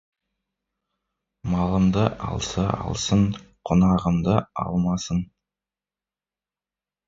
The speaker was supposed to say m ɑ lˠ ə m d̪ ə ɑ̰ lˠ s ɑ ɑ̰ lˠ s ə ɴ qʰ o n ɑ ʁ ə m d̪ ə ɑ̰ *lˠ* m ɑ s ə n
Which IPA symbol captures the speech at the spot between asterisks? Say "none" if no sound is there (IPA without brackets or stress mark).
lˠ